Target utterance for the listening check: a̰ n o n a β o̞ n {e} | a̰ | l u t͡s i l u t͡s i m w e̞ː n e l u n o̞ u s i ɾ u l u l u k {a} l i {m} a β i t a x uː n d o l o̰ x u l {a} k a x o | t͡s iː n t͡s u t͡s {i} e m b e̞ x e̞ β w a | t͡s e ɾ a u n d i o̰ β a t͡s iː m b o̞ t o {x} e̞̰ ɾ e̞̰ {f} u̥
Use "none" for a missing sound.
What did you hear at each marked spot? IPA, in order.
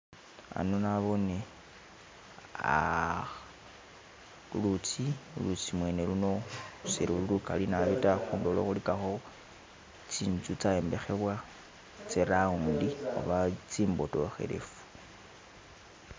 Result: e, a, n, i, a, x, f

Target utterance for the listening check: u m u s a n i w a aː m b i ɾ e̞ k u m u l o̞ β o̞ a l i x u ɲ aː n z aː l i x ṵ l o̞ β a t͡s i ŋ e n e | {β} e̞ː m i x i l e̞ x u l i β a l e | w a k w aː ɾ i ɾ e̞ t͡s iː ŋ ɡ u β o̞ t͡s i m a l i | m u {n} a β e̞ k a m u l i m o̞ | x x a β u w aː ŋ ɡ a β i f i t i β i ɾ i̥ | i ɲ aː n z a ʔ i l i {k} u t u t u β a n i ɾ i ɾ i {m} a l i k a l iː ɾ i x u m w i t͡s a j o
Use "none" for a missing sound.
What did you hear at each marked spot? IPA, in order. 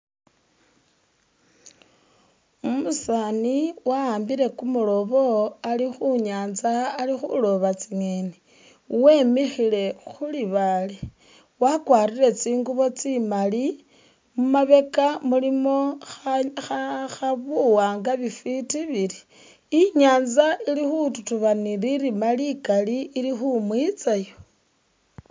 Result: w, m, x, m

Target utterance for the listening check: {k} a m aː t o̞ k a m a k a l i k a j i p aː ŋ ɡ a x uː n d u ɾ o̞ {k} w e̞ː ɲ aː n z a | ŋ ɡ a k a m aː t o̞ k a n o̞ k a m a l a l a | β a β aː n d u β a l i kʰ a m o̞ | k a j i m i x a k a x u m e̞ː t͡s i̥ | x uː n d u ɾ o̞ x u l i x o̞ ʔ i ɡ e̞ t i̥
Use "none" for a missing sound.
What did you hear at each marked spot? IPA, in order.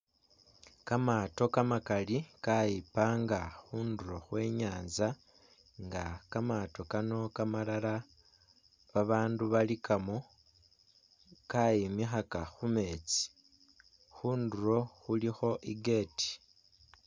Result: k, x

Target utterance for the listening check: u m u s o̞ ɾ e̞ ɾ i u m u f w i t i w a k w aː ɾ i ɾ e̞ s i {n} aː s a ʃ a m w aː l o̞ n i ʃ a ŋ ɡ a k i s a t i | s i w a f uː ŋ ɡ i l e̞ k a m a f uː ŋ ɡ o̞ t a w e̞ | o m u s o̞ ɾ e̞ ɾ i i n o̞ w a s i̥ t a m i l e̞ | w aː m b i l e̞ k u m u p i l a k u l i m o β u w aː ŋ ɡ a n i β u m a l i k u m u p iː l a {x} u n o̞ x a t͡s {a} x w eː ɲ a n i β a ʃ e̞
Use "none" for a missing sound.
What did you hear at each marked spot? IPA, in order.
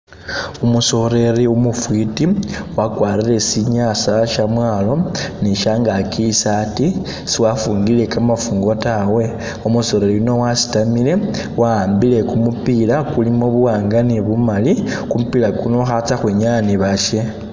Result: ɲ, k, a

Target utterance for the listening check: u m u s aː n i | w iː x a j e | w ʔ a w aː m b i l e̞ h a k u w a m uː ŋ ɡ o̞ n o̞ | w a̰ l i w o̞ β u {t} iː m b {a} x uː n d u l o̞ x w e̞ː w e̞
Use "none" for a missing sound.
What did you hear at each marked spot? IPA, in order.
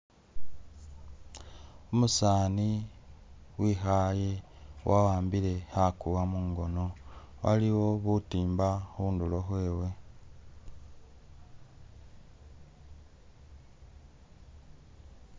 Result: t, a

